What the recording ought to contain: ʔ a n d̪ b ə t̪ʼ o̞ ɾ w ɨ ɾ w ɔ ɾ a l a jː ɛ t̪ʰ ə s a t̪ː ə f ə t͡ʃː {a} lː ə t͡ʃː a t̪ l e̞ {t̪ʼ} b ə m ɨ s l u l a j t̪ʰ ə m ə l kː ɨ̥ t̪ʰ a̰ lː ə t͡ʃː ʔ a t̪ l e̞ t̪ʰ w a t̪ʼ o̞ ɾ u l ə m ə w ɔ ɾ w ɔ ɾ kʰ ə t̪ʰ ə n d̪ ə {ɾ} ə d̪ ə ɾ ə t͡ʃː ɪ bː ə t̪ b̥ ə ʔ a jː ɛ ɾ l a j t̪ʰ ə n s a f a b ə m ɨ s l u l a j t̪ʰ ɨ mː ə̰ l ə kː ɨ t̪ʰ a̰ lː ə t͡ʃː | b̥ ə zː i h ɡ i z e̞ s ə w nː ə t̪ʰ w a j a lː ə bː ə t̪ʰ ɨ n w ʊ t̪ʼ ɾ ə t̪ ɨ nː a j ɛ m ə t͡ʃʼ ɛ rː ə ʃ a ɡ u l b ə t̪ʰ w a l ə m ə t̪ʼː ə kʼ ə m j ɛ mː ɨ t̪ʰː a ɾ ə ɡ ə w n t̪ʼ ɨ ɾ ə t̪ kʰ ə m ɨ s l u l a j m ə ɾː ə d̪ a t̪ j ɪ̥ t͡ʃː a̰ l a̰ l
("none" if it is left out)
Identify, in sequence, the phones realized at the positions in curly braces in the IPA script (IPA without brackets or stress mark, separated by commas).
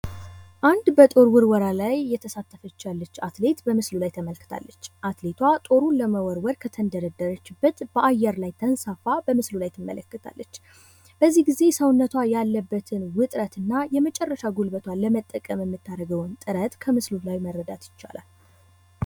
a, t̪, ɾ